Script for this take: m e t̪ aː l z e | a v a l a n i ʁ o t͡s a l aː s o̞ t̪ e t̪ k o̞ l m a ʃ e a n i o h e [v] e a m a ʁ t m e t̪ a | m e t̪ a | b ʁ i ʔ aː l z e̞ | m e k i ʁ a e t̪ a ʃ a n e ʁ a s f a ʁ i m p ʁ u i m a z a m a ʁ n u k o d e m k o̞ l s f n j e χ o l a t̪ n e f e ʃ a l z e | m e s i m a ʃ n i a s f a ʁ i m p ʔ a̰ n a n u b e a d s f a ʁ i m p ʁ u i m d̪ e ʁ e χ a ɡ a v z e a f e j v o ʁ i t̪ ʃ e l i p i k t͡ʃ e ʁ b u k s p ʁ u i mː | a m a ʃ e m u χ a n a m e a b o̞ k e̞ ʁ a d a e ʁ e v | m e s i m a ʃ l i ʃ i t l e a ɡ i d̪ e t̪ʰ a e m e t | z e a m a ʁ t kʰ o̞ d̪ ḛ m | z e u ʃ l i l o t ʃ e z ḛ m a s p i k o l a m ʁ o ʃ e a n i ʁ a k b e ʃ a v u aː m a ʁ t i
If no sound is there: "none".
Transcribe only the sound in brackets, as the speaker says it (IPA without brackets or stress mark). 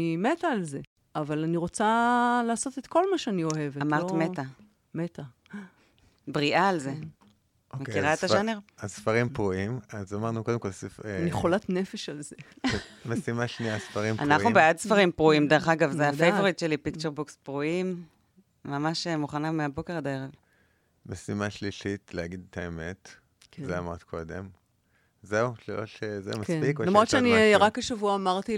v